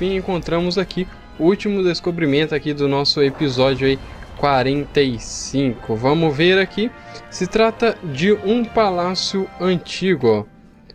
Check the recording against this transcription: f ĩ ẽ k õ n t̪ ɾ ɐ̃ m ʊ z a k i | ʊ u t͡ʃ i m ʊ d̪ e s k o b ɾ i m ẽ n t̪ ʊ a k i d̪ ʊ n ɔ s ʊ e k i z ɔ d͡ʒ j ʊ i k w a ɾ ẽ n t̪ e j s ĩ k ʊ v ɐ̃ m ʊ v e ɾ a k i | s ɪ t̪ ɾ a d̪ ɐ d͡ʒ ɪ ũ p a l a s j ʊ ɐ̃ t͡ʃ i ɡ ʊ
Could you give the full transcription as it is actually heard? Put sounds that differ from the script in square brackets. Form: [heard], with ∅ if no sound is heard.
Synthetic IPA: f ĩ ẽ k õ n t̪ ɾ ɐ̃ m ʊ z a k i | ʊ u t͡ʃ i m ʊ d̪ e s k o b ɾ i m ẽ n t̪ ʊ a k i d̪ ʊ n ɔ s ʊ e [p] i z ɔ d͡ʒ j ʊ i k w a ɾ ẽ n t̪ e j s ĩ k ʊ v ɐ̃ m ʊ v e ɾ a k i | s ɪ t̪ ɾ a [t̪] ɐ d͡ʒ ɪ ũ p a l a s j ʊ ɐ̃ t͡ʃ i ɡ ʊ